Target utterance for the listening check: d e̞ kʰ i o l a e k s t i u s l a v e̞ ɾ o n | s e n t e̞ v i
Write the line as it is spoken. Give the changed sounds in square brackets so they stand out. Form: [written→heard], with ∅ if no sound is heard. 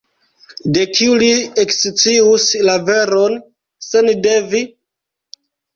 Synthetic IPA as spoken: d e̞ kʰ i [o→u] l [a→i] e k s [t→t͡s] i u s l a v e̞ ɾ o n | s e n [t→d] e̞ v i